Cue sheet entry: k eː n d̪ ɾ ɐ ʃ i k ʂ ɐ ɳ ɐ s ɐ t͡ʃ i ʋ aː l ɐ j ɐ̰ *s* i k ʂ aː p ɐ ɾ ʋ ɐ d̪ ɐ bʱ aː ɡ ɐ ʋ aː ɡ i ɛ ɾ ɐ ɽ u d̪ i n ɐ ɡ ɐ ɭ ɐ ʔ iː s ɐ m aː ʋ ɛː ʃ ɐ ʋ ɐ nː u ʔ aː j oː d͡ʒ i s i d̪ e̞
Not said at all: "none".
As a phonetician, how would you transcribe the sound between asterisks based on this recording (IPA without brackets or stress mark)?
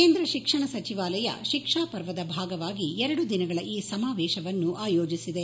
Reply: ʃ